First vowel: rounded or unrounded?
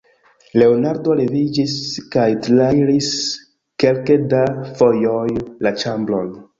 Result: unrounded